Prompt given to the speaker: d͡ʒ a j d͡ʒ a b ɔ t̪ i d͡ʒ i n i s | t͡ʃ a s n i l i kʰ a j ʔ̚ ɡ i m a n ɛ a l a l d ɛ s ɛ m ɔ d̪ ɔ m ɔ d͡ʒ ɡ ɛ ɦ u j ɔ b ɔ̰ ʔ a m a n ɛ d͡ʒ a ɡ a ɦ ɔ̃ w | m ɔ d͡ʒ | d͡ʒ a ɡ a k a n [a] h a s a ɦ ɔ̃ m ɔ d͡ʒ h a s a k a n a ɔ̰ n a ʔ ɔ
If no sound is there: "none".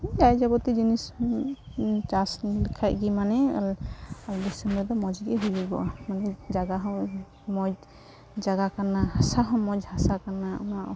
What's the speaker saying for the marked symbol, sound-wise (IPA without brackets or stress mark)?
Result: a